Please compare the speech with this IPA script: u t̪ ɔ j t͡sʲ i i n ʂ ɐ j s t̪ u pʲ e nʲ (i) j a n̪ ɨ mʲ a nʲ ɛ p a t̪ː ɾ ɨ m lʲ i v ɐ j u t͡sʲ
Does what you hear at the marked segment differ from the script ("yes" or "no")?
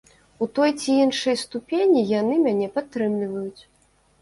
no